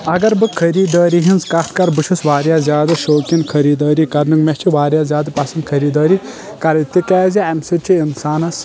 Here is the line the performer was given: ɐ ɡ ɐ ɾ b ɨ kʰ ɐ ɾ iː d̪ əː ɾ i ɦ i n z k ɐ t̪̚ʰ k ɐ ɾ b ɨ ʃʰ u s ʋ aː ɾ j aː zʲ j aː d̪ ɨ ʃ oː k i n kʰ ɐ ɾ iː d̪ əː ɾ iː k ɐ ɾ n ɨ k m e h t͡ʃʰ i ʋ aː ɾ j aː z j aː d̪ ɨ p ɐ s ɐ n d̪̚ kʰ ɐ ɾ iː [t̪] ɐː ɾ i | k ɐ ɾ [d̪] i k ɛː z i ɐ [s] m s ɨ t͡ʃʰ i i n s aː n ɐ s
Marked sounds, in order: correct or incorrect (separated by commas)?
incorrect, incorrect, incorrect